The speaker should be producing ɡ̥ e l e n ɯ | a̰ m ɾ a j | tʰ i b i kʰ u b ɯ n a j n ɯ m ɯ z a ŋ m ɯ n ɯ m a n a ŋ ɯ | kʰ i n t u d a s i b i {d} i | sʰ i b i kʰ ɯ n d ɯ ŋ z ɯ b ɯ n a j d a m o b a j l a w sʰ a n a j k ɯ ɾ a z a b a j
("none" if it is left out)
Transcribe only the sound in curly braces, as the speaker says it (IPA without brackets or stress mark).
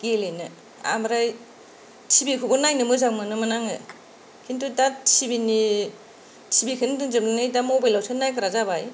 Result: n